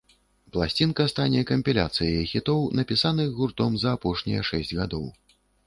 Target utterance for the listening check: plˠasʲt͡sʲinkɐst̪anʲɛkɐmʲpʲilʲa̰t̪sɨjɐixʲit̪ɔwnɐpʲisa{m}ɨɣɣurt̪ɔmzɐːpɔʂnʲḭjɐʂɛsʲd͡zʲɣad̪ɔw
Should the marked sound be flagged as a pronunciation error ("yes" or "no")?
yes